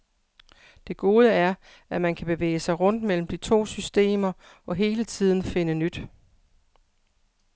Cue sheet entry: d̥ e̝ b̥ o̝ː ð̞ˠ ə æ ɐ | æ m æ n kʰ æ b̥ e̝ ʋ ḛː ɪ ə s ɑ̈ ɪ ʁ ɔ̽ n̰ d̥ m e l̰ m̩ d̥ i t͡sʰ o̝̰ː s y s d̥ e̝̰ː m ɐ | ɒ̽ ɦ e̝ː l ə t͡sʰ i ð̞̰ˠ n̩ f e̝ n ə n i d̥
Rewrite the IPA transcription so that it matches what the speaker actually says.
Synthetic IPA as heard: d̥ e̝ ɡ̥ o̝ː ð̞ˠ ə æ ɐ | æ m æ n kʰ æ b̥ e̝ ʋ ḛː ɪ ə s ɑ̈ ɪ ʁ ɔ̽ n̰ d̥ m e l̰ m̩ d̥ i t͡sʰ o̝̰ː s y s d̥ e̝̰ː m ɐ | ɒ̽ ɦ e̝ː l ə t͡sʰ i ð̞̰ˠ n̩ f e̝ n ə n y d̥